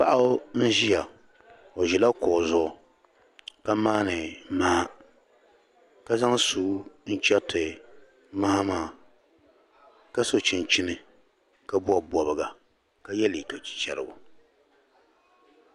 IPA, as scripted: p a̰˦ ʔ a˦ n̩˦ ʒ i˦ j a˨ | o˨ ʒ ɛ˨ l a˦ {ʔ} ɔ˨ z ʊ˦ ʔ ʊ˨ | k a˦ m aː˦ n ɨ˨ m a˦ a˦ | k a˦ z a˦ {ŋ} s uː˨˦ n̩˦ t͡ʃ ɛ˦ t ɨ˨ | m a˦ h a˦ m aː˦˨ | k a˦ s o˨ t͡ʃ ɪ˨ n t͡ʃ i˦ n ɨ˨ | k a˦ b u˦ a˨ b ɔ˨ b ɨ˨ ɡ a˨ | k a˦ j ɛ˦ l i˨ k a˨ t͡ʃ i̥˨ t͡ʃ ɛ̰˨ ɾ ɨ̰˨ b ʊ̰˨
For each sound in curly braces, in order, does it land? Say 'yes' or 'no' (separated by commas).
no, yes